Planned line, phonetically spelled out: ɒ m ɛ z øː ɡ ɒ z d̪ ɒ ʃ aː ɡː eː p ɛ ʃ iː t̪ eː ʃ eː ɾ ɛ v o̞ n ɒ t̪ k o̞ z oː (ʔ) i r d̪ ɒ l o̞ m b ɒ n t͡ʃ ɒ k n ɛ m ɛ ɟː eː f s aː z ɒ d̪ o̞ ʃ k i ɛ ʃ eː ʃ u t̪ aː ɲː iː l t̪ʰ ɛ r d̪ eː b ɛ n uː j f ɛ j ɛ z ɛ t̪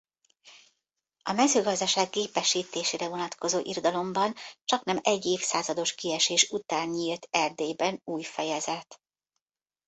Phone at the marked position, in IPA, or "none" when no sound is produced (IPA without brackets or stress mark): ʔ